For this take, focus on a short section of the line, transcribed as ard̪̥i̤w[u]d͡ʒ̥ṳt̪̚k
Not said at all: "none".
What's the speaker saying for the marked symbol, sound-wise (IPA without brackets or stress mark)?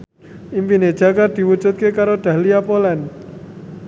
u